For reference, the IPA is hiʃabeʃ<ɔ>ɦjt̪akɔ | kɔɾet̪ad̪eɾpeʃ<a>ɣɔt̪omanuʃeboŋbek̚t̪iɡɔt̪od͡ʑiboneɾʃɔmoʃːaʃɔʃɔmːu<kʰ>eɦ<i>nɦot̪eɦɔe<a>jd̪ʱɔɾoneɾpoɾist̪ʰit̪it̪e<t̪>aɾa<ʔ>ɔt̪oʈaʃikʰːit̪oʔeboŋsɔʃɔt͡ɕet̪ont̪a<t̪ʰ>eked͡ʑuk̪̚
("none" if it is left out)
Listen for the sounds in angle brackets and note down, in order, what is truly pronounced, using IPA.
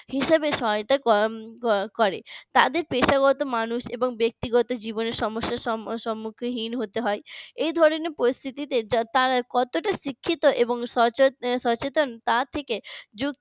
ɔ, a, kʰ, i, e, t̪, k, t̪ʰ

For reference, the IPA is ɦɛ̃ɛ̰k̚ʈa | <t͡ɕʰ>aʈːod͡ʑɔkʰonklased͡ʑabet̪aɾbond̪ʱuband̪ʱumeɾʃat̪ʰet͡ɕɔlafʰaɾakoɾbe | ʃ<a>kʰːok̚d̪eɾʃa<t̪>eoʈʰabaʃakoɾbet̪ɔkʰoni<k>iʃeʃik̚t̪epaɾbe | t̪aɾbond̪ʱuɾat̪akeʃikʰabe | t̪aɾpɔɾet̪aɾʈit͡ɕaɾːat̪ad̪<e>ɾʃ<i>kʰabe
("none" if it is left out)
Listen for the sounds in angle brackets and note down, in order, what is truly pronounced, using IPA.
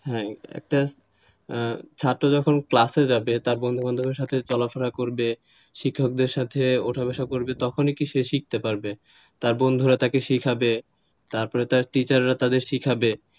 t͡ɕʰ, i, t̪ʰ, k, e, i

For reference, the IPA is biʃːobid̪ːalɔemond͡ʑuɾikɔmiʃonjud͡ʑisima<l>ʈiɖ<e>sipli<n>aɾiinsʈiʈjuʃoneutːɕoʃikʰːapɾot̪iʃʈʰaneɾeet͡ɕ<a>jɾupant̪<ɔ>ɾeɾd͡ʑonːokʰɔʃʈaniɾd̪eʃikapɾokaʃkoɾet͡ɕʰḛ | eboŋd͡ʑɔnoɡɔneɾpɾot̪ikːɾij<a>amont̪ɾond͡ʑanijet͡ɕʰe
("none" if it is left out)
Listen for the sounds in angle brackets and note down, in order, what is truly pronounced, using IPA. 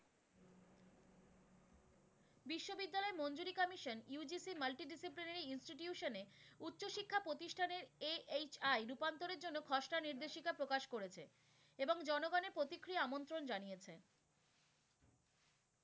l, i, n, a, o, a

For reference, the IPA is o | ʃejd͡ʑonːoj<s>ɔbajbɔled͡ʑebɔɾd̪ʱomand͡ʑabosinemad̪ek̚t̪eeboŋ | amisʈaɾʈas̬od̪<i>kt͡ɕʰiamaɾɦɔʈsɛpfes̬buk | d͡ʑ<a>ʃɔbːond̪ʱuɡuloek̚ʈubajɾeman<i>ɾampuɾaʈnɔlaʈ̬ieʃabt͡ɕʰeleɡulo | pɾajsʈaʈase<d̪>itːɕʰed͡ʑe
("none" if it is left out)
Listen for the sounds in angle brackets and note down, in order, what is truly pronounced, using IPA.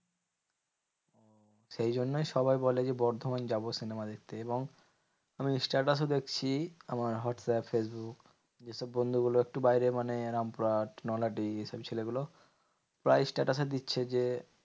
ʃ, e, e, e, d̪

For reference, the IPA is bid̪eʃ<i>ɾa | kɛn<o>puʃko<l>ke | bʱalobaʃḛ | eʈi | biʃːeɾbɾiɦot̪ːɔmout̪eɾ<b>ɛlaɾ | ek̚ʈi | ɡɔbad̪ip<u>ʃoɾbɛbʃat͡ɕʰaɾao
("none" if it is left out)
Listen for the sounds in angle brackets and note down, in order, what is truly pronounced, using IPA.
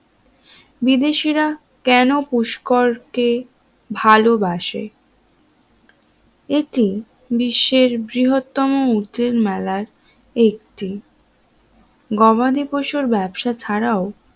i, o, ɾ, m, o

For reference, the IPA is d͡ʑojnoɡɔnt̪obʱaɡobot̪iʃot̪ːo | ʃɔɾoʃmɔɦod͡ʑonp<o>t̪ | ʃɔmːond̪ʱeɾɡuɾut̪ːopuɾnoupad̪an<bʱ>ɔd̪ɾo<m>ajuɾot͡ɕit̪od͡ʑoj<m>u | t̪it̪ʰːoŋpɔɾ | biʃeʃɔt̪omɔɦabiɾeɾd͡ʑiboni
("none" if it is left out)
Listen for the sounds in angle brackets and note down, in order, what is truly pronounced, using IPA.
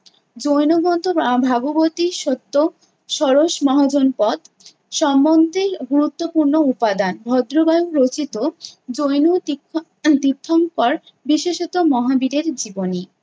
ɔ, bʱ, b, n

